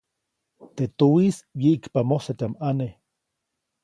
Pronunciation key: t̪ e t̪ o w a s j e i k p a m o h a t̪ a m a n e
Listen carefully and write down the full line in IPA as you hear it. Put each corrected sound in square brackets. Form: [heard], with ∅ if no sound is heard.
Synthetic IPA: t̪ e t̪ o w [i] s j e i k p a m o [s] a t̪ a m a n e